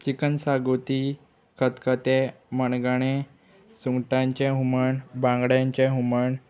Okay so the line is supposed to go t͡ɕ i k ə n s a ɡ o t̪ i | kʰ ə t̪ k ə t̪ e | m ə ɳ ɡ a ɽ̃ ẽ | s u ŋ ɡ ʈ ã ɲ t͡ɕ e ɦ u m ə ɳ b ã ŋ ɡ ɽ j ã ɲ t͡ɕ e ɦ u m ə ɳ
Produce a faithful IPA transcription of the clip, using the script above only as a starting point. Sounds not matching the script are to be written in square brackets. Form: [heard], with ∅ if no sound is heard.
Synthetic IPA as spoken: t͡ɕ i k ə n s a ɡ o t̪ i | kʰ ə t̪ k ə t̪ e | m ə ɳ ɡ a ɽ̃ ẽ | s u ŋ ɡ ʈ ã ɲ t͡ɕ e ɦ u m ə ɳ b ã ŋ ɡ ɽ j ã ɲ t͡ɕ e ɦ u m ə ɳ